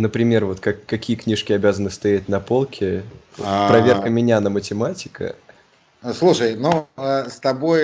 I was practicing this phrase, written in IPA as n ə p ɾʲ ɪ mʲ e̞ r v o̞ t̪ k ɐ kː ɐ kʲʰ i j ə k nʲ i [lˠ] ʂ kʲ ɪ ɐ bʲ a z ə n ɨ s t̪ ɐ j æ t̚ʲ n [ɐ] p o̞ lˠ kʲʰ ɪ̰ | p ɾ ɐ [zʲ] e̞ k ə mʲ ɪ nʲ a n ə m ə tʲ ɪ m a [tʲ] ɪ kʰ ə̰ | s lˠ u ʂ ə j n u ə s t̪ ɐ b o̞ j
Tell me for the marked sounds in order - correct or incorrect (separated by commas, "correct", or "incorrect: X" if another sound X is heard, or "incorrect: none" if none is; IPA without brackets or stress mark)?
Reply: incorrect: none, correct, incorrect: vʲ, correct